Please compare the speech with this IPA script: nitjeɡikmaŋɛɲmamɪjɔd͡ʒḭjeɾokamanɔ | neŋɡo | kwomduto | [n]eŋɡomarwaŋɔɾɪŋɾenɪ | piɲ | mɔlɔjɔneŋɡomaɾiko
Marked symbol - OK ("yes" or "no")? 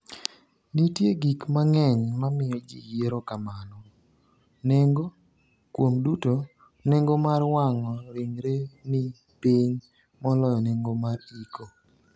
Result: yes